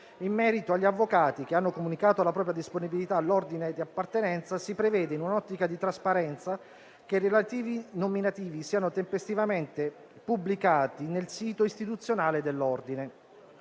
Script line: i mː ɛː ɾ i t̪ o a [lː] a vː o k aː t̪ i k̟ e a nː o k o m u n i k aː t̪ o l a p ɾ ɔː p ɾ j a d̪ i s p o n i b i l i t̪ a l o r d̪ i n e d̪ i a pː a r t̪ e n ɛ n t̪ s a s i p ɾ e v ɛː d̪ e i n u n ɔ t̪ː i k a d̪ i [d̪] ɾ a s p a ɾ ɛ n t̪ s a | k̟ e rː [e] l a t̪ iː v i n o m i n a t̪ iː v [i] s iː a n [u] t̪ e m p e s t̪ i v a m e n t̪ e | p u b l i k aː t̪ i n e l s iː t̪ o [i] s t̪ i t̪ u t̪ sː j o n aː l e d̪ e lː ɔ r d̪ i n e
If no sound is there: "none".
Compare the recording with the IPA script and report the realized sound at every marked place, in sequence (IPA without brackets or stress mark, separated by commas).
ʎː, t̪, e, i, o, i